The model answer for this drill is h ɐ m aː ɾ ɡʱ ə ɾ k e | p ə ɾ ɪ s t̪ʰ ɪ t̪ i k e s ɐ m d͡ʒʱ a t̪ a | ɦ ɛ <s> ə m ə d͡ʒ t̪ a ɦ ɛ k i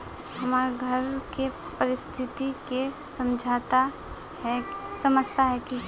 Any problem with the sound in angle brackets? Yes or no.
no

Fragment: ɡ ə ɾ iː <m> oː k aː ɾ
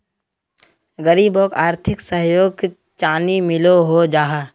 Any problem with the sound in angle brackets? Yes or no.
yes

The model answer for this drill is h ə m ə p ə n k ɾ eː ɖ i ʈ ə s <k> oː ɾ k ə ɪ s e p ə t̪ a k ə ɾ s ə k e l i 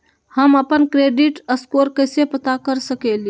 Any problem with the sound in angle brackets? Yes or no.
no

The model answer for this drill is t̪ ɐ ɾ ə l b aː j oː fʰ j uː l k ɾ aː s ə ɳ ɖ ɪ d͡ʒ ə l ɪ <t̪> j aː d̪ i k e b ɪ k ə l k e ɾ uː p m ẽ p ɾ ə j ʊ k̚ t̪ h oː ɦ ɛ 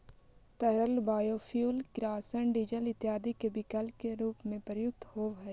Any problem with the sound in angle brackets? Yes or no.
no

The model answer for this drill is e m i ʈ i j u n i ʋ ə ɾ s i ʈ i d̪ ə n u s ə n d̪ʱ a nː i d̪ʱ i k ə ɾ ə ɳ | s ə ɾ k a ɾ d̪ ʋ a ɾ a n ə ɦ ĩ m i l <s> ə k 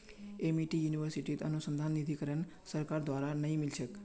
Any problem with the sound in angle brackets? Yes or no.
yes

